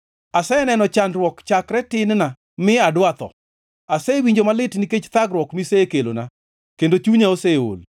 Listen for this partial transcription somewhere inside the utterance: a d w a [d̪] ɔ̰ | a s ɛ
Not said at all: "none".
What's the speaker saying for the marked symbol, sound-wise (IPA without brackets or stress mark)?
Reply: t̪